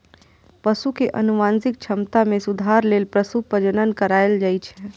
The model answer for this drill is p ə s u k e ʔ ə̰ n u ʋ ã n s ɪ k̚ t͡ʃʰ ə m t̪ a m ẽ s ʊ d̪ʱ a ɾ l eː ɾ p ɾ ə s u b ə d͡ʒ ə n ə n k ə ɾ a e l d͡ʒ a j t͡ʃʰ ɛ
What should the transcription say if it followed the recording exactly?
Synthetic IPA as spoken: p ə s u k e ʔ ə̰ n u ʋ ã n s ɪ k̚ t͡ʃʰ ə m t̪ a m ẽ s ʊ d̪ʱ a ɾ l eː l p ɾ ə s u p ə d͡ʒ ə n ə n k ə ɾ a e l d͡ʒ a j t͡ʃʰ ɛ

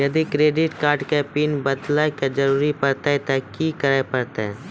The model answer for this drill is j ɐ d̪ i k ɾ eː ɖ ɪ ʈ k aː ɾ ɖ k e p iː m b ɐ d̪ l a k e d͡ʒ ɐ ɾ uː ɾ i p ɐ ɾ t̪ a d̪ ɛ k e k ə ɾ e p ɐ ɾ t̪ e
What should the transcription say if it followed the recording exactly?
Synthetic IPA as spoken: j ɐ d̪ i k ɾ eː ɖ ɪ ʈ k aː ɾ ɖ k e p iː n b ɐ d̪ l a k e d͡ʒ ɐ ɾ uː ɾ i p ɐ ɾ t̪ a t̪ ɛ k i k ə ɾ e p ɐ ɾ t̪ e

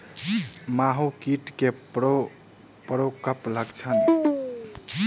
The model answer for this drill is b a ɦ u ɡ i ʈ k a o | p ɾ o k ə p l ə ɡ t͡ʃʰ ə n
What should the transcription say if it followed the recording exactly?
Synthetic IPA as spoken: m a ɦ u k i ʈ k e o | p ɾ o k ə p l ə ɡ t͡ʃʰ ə n

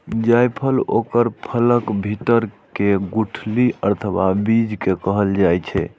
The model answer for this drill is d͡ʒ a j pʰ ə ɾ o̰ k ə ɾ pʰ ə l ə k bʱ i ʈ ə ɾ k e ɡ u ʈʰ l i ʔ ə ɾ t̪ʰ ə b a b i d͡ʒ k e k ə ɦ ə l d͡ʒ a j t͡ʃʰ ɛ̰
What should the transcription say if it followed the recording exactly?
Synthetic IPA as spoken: d͡ʒ a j pʰ ə l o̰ k ə ɾ pʰ ə l ə k bʱ i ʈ ə ɾ k e ɡ u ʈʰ l i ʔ ə ɾ t̪ʰ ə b a b i d͡ʒ k e k ə ɦ ə l d͡ʒ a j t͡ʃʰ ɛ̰

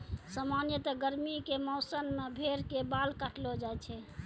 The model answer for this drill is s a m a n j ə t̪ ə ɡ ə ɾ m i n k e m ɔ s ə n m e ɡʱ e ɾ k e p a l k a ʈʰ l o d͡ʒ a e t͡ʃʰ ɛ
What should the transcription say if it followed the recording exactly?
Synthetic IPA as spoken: s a m a n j ə t̪ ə ɡ ə ɾ m i k e m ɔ s ə n m e bʱ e ɾ k e b a l k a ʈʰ l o d͡ʒ a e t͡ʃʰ ɛ

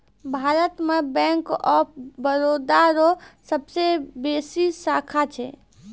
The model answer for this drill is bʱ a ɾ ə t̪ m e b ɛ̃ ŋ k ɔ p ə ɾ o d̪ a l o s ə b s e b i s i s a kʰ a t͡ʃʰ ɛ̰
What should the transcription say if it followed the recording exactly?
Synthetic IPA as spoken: bʱ a ɾ ə t̪ m e b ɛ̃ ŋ k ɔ b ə ɾ o d̪ a ɾ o s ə b s e b e s i s a kʰ a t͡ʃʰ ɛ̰

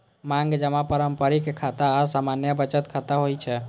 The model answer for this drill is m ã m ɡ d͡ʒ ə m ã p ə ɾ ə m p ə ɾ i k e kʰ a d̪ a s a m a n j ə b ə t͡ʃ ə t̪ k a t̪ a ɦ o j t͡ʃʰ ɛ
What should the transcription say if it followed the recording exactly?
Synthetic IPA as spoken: m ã ŋ ɡ d͡ʒ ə m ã p ə ɾ ə m p ə ɾ i k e kʰ a t̪ a s a m a n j ə b ə t͡ʃ ə t̪ kʰ a t̪ a ɦ o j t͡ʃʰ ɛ

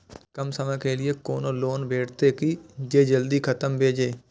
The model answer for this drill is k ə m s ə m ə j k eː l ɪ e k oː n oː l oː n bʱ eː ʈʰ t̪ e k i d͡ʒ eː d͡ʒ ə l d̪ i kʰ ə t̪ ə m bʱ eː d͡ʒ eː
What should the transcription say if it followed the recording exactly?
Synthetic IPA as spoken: k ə m s ə m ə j k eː l ɪ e k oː n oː l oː n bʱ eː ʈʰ t̪ e k i d͡ʒ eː d͡ʒ ə l d̪ i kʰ ə t̪ ə m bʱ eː d͡ʒ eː

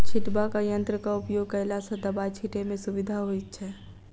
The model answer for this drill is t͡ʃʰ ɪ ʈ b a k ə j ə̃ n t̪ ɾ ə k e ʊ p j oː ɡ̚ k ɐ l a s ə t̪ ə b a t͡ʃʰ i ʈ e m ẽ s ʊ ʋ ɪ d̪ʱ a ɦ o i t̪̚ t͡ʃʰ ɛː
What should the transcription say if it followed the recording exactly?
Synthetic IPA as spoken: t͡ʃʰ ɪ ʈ b a k a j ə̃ n t̪ ɾ ə k a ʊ p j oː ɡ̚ k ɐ l a s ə d̪ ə b a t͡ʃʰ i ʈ e m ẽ s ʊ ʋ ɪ d̪ʱ a ɦ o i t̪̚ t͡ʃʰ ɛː

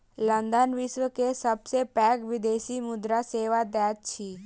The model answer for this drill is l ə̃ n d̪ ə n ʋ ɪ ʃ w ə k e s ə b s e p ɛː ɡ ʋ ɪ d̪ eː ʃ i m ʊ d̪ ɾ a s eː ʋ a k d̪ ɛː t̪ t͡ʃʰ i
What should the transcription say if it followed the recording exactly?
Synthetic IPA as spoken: l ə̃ n d̪ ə n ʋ ɪ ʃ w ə k e s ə b s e p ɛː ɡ ʋ ɪ d̪ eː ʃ i m ʊ d̪ ɾ a s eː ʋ a d̪ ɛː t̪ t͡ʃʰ i

